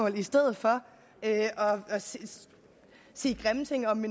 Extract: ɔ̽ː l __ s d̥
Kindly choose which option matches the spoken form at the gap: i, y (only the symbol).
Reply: i